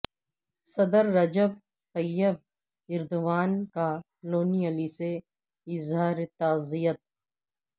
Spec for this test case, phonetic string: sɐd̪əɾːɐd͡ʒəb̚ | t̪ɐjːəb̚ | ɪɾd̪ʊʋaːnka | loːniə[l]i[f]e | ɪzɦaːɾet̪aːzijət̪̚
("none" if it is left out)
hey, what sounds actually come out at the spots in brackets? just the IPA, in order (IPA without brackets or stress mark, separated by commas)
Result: l, s